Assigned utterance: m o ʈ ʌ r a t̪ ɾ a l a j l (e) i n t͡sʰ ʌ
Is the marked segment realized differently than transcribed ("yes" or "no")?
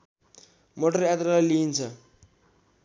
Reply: yes